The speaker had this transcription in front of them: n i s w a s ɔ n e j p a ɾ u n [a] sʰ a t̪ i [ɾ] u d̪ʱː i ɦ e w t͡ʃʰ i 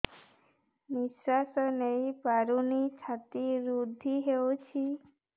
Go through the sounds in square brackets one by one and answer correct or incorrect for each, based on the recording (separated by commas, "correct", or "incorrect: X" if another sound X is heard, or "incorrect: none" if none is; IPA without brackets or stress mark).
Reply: incorrect: i, correct